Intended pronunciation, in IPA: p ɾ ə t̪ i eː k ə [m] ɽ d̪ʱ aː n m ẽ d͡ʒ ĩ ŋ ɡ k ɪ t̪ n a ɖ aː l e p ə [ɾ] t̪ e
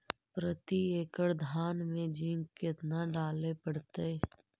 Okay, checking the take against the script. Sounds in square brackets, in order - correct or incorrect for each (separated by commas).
incorrect, incorrect